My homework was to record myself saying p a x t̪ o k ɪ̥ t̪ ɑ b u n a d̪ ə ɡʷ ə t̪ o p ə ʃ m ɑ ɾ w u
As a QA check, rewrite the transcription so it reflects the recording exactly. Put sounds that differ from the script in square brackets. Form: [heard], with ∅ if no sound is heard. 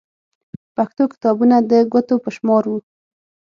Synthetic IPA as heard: p a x t̪ o k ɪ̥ t̪ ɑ b u n a d̪ ə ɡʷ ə t̪ o p ə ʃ m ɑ ɾ w u